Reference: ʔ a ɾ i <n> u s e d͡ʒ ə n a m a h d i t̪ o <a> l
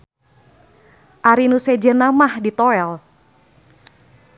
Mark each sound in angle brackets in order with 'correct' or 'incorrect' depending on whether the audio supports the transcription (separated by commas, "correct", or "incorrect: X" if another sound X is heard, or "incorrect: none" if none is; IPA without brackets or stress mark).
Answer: correct, incorrect: ɛ